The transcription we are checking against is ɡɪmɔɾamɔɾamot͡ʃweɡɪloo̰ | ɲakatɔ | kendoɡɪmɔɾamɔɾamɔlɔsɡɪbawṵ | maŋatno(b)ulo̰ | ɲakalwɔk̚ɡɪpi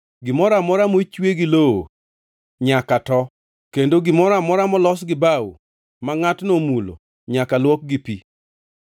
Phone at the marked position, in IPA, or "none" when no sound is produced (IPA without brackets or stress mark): m